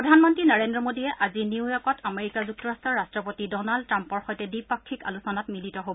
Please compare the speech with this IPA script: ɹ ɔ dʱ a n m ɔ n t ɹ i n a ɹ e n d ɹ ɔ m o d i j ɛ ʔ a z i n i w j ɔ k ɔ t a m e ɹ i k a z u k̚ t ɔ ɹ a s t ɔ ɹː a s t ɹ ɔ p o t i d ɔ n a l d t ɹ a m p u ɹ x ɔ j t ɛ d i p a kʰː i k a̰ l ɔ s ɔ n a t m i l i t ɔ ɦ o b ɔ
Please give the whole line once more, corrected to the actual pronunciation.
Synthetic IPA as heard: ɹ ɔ dʱ a n m ɔ n t ɹ i n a ɹ e n d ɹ ɔ m o d i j ɛ ʔ a z i n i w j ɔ k ɔ t a m e ɹ i k a z u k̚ t ɔ ɹ a s t ɔ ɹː a s t ɹ ɔ p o t i d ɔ n a l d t ɹ a m p ɔ ɹ x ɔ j t ɛ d i p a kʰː i k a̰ l u s ɔ n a t m i l i t ɔ ɦ o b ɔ

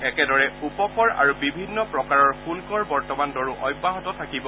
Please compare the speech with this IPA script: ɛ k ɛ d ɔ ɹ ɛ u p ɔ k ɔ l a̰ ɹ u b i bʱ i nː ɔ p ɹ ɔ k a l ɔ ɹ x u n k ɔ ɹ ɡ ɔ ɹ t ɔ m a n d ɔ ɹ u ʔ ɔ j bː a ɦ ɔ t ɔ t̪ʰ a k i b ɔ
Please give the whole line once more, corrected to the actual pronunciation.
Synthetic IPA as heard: ɛ k ɛ d ɔ ɹ ɛ u p ɔ k ɔ ɹ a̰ ɹ u b i bʱ i nː ɔ p ɹ ɔ k a ɹ ɔ ɹ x u n k ɔ ɹ b ɔ ɹ t ɔ m a n d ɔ ɹ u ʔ ɔ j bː a ɦ ɔ t ɔ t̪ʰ a k i b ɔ

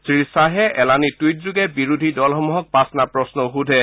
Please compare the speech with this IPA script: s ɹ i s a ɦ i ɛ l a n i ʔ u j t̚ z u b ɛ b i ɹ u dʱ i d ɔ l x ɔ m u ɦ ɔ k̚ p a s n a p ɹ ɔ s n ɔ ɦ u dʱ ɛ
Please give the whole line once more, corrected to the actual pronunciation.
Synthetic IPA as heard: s ɹ i s a ɦ ɛ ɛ l a n i t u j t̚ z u ɡ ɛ b i ɹ u dʱ i d ɔ l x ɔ m u ɦ ɔ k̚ p a s n a p ɹ ɔ s n ɔ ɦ u dʱ ɛ

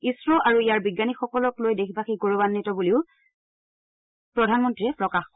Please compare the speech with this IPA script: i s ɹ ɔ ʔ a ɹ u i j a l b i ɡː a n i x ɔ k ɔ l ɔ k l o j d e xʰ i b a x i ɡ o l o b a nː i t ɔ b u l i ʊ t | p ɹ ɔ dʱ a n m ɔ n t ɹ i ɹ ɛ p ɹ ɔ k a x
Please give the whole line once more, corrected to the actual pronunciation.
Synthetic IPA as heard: i s ɹ ɔ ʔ a ɹ u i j a ɹ b i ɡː a n i x ɔ k ɔ l ɔ k l o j d e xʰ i b a x i ɡ o ɹ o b a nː i t ɔ b u l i ʊ | p ɹ ɔ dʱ a n m ɔ n t ɹ i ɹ ɛ p ɹ ɔ k a x

